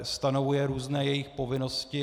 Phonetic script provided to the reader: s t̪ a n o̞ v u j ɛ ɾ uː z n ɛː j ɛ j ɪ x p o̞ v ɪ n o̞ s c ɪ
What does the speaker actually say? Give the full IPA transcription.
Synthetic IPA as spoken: s t̪ a n o̞ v u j ɛ ɾ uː z n ɛː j ɛ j ɪ x p o̞ v ɪ n o̞ s c ɪ